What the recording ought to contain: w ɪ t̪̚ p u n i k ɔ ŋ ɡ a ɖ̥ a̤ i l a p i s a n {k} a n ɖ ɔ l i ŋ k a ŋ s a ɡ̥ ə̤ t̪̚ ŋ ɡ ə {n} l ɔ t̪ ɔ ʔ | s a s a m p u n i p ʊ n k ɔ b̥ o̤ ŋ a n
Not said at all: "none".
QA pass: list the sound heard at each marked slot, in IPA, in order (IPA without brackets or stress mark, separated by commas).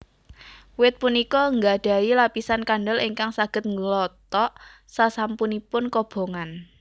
k, none